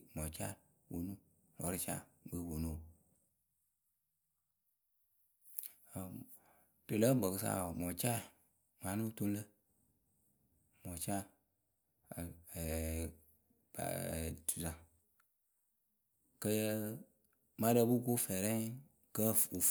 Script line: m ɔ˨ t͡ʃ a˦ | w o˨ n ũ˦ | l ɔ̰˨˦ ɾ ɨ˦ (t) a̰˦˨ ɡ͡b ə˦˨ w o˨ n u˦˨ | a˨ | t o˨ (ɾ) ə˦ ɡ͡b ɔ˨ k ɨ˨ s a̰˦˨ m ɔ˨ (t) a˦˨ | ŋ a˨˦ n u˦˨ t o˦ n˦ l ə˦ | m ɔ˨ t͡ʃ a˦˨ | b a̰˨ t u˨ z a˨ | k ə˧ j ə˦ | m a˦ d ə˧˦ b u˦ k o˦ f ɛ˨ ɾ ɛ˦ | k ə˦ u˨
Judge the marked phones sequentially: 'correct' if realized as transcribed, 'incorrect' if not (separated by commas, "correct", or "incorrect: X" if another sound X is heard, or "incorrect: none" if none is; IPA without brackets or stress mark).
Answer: incorrect: t͡ʃ, incorrect: l, incorrect: t͡ʃ